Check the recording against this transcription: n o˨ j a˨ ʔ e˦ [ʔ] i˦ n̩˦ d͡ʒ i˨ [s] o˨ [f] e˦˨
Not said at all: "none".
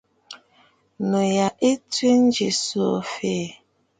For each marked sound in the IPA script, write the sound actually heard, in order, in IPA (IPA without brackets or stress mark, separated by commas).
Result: t, s, f